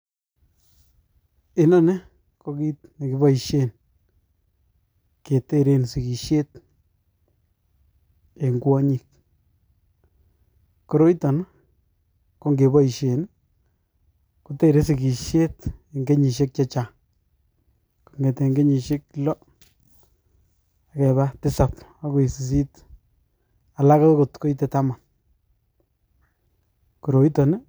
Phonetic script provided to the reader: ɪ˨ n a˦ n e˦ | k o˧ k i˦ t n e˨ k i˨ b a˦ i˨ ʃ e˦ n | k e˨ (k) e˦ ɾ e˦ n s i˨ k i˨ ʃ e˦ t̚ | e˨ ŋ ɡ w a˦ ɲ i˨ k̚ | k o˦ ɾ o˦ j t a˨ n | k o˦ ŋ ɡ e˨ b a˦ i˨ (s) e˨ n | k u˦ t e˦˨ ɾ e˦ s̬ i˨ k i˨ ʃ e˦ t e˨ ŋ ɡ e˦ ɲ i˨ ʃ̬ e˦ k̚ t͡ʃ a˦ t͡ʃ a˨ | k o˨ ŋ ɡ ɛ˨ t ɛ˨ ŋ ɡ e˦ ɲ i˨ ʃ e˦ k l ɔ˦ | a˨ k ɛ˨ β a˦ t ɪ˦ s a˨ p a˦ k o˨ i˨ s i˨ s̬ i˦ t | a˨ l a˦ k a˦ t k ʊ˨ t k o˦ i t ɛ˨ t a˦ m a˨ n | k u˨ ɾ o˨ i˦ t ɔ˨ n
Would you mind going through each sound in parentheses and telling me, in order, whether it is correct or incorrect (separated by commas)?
incorrect, incorrect